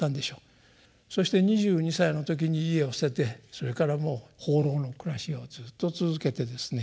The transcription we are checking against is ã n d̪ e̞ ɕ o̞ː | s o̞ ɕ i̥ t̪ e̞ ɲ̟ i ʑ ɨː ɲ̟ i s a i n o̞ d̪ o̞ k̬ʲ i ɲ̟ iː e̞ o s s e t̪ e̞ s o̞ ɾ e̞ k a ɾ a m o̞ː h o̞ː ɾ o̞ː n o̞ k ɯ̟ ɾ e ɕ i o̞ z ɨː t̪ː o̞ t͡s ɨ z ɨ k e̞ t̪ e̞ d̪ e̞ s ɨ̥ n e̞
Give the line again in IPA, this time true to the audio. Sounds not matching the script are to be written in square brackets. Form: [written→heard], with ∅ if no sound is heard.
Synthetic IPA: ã n d̪ e̞ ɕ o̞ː | s o̞ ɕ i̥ t̪ e̞ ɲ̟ i ʑ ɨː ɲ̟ i s a i n o̞ [d̪→t̪] o̞ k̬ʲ i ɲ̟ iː e̞ o s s e t̪ e̞ s o̞ ɾ e̞ k a ɾ a m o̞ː h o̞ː ɾ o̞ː n o̞ k ɯ̟ ɾ [e→a] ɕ i o̞ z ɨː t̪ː o̞ t͡s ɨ z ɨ k e̞ t̪ e̞ d̪ e̞ s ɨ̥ n e̞